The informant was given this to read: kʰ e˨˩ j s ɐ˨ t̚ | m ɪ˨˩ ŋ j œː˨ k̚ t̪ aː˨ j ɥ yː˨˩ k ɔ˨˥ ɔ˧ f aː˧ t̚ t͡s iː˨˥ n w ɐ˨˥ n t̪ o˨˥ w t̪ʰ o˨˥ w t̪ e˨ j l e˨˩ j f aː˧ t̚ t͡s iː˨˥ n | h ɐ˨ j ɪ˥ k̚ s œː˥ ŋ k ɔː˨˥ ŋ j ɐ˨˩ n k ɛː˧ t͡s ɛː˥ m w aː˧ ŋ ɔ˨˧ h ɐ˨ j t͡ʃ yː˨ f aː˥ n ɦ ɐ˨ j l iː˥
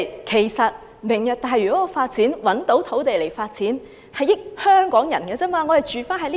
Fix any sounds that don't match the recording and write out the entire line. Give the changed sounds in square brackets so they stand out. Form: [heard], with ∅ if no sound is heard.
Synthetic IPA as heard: kʰ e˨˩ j s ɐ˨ t̚ | m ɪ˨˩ ŋ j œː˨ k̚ t̪ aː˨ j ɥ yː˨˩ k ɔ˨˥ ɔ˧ f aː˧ t̚ t͡s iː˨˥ n w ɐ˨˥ n t̪ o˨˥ w t̪ʰ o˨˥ w t̪ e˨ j l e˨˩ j f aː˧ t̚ t͡s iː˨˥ n | h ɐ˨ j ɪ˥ k̚ [h] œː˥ ŋ k ɔː˨˥ ŋ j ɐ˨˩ n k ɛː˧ t͡s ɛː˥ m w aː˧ ŋ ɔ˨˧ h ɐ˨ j t͡ʃ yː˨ f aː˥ n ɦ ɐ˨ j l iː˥

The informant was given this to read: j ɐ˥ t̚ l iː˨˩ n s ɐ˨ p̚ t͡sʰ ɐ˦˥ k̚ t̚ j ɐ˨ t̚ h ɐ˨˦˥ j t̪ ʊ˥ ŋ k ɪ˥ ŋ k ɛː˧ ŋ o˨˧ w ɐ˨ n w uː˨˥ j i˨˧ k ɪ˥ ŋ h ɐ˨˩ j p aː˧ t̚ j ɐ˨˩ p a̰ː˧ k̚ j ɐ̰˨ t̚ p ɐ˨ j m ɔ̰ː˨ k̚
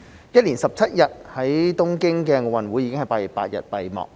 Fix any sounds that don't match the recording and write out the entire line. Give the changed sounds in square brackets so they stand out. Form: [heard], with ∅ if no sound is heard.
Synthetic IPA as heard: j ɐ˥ t̚ l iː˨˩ n s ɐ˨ p̚ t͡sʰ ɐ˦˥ [∅] t̚ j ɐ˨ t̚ h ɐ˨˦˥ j t̪ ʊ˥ ŋ k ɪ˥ ŋ k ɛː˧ ŋ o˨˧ w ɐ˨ n w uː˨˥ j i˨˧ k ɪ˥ ŋ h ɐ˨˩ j p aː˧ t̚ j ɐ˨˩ p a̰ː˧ [t̚] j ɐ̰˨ t̚ p ɐ˨ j m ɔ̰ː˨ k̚

